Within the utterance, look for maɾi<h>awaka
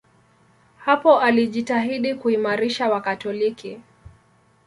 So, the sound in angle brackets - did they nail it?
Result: no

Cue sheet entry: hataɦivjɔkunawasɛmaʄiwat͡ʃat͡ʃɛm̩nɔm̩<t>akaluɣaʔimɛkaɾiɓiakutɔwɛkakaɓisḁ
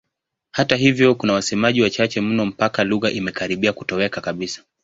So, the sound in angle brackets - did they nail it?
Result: no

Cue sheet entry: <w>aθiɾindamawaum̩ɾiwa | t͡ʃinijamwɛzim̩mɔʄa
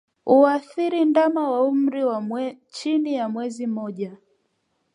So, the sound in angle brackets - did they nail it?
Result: no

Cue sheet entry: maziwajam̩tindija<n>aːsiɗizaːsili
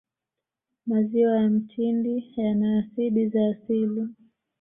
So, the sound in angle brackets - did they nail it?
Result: yes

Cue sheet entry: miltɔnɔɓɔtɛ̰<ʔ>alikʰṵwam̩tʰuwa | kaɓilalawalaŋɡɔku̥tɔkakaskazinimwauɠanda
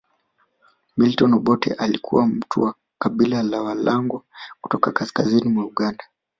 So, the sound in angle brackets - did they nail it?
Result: yes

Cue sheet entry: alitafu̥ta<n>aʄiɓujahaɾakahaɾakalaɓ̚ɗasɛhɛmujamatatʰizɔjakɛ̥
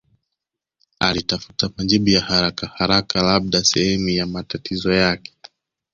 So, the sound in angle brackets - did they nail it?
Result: no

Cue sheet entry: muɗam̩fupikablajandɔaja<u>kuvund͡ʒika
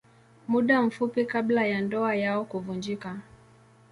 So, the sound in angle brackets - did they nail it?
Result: no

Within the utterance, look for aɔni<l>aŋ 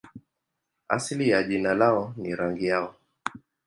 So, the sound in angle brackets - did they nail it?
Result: no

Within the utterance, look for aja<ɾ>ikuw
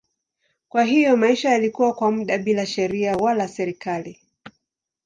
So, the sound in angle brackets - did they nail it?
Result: no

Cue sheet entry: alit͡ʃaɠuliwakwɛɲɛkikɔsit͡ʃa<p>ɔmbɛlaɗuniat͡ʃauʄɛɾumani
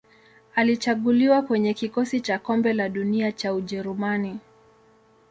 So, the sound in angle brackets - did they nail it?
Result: no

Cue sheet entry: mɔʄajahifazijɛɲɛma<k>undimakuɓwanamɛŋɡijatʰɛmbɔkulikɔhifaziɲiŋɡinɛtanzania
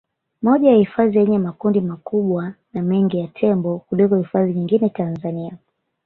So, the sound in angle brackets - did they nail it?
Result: yes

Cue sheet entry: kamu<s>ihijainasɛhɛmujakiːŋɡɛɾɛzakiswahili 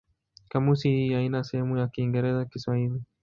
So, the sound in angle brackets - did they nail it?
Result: yes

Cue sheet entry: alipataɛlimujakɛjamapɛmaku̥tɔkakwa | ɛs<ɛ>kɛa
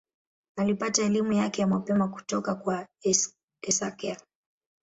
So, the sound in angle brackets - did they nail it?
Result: no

